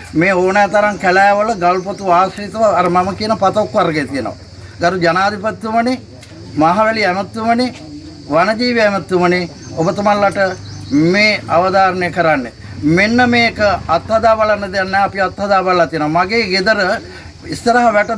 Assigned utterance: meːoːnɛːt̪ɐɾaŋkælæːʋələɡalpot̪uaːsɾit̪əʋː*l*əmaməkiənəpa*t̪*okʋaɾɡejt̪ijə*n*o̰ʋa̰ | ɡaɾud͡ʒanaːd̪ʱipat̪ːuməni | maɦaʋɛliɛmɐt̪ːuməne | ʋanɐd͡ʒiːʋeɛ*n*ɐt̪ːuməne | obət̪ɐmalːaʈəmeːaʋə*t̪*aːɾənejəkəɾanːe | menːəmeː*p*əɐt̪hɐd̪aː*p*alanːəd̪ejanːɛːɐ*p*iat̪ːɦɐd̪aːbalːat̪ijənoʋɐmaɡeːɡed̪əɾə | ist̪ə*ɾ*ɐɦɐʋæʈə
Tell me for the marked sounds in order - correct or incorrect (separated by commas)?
incorrect, correct, correct, incorrect, incorrect, incorrect, incorrect, correct, correct